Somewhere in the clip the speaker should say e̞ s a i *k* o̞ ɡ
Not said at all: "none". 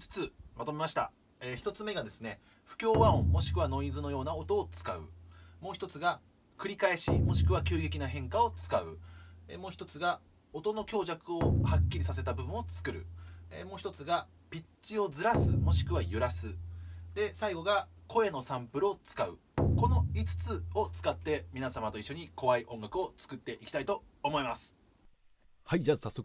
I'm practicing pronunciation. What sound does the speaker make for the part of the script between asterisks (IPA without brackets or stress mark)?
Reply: ɡ